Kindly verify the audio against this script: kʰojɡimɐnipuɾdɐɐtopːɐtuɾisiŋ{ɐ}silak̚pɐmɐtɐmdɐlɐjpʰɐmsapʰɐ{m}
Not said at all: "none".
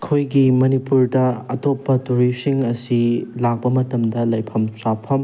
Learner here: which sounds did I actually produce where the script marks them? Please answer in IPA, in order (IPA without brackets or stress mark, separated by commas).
ɐ, m